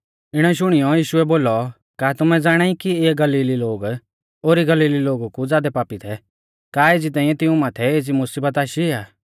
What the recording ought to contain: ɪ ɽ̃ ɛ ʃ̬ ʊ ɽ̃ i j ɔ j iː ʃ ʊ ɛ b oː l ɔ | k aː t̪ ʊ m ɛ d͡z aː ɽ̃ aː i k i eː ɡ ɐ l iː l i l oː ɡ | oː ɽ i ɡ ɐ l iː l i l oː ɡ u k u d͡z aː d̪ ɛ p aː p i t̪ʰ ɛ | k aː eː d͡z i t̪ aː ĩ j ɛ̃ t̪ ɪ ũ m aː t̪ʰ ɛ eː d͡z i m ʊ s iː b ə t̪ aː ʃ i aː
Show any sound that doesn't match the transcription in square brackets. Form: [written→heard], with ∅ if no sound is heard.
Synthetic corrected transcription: ɪ ɽ̃ ɛ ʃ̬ ʊ ɽ̃ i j ɔ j iː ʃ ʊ ɛ b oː l ɔ | k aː t̪ ʊ m ɛ d͡z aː ɽ̃ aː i k i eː ɡ ɐ l iː l i l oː ɡ | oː [ɽ→ɾ] i ɡ ɐ l iː l i l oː ɡ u k u d͡z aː d̪ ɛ p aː p i t̪ʰ ɛ | k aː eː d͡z i t̪ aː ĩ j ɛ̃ t̪ ɪ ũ m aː t̪ʰ ɛ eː d͡z i m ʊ s iː b ə t̪ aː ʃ i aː

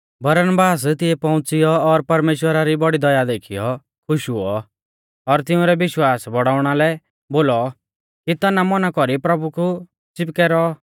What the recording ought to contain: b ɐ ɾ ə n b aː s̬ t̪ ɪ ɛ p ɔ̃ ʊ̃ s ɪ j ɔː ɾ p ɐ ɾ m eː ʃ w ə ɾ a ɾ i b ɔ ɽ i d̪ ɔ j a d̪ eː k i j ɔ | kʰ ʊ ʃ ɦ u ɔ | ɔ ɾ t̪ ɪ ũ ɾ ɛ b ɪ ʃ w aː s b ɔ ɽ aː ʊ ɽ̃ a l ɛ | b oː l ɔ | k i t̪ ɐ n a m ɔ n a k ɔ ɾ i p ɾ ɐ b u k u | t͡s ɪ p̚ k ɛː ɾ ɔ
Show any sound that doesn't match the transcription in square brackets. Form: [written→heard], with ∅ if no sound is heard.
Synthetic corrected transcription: b ɐ ɾ ə n b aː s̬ t̪ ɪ ɛ p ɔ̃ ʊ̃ [s→t͡s] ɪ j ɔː ɾ p ɐ ɾ m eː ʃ w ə ɾ a ɾ i b ɔ ɽ i d̪ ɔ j a d̪ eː [k→kʰ] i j ɔ | kʰ ʊ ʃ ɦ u ɔ | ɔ ɾ t̪ ɪ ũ ɾ ɛ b ɪ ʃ w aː s b ɔ ɽ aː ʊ ɽ̃ a l ɛ | b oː l ɔ | k i t̪ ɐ n a m ɔ n a k ɔ ɾ i p ɾ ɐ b u k u | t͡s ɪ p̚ k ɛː ɾ ɔ

